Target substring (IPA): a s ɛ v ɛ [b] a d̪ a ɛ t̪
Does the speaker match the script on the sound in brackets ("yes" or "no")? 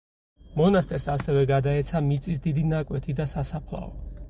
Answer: no